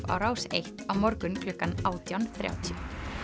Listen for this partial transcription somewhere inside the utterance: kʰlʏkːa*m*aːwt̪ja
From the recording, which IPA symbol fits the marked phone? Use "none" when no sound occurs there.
n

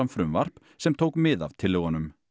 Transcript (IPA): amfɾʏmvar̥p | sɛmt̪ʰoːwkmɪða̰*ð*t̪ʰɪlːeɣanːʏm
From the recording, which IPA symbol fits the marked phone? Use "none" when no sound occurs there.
v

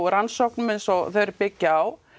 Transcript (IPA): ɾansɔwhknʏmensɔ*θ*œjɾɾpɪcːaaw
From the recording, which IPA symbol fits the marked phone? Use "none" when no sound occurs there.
θ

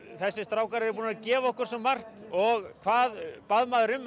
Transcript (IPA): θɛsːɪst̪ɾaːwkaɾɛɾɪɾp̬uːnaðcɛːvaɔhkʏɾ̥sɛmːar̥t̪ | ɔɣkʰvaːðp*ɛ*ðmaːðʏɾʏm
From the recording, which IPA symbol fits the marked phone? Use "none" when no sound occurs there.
a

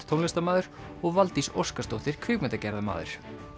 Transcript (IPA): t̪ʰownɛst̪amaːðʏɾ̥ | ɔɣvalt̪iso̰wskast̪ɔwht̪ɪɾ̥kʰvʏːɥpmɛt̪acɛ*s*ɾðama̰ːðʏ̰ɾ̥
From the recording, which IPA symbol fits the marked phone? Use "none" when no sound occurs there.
none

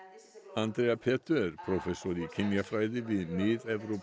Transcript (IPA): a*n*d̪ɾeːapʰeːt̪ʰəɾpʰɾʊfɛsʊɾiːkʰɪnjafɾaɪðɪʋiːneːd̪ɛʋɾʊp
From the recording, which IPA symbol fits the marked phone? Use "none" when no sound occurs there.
n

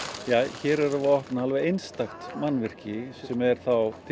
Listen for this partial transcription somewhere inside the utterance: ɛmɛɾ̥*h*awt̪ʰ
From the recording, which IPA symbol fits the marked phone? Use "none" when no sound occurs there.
θ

